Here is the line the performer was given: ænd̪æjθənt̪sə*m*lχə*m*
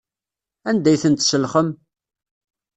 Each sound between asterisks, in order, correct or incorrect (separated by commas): incorrect, correct